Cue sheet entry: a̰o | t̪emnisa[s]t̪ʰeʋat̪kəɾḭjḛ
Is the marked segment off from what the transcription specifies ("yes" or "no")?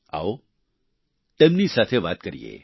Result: yes